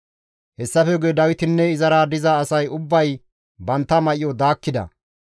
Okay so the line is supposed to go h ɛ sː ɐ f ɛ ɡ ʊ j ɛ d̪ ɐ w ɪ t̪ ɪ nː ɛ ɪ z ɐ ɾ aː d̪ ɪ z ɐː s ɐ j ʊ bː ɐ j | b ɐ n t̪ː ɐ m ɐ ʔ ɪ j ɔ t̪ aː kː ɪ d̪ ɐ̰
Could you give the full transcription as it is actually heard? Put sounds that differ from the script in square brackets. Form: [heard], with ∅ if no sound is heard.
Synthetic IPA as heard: h ɛ sː ɐ f ɛ ɡ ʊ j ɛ d̪ ɐ w ɪ t̪ ɪ nː ɛ ɪ z ɐ ɾ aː d̪ ɪ z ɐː s ɐ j ʊ bː ɐ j | b ɐ n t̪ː ɐ m ɐ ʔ ɪ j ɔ [d̪] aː kː ɪ d̪ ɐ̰